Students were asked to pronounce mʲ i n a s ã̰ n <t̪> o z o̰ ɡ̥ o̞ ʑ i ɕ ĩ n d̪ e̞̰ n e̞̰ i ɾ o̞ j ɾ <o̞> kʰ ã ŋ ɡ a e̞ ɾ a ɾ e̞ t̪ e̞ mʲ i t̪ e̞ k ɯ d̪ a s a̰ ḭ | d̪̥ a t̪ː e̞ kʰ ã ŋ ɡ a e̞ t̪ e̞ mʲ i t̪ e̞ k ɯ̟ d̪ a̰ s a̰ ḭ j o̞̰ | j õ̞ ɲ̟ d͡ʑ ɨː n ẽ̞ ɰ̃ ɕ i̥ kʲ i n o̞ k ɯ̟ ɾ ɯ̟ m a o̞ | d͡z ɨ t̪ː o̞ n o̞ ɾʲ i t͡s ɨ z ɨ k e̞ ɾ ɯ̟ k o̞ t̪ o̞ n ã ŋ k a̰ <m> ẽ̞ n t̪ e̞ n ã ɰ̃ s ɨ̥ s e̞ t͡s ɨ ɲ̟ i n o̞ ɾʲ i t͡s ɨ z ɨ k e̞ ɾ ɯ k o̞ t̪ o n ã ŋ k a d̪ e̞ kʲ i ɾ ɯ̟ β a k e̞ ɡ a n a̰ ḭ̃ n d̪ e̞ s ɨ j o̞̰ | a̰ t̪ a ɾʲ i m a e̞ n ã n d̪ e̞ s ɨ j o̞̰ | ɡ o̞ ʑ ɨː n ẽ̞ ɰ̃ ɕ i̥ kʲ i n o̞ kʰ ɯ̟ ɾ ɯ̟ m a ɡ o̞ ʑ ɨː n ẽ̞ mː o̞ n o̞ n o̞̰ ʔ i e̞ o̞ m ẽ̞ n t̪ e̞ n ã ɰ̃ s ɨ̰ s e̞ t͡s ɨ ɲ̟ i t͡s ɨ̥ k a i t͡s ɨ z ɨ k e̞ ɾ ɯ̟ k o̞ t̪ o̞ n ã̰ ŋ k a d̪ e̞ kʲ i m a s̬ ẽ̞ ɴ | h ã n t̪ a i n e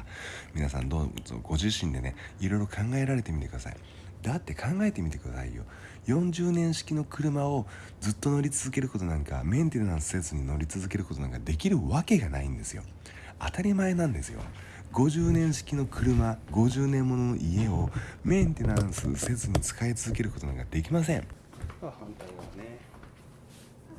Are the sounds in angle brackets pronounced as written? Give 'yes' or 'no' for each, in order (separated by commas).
no, yes, yes